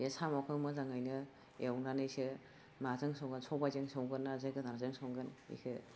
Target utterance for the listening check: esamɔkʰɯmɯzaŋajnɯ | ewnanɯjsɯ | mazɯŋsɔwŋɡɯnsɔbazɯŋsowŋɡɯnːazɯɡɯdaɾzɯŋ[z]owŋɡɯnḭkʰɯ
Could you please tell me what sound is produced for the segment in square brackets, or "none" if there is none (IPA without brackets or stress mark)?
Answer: s